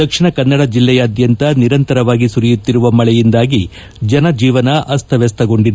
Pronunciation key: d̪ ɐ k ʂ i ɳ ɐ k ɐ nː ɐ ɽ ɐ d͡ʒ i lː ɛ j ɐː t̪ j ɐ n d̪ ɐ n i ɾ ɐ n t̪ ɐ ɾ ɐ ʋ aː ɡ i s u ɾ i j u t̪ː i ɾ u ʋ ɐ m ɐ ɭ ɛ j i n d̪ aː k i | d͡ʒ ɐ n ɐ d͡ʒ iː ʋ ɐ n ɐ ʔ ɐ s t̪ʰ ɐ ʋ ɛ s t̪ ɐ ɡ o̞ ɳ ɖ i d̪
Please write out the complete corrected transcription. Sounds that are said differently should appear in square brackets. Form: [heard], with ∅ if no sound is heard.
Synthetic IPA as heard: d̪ ɐ k ʂ i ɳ ɐ k ɐ nː ɐ ɽ ɐ d͡ʒ i lː ɛ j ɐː [d̪] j ɐ n [t̪] ɐ n i ɾ ɐ n t̪ ɐ ɾ ɐ ʋ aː ɡ i s u ɾ i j u t̪ː i ɾ u ʋ ɐ m ɐ ɭ ɛ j i n d̪ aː [ɡ] i | d͡ʒ ɐ n ɐ d͡ʒ iː ʋ ɐ n ɐ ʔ ɐ s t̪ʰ ɐ ʋ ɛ s t̪ ɐ ɡ o̞ ɳ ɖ i d̪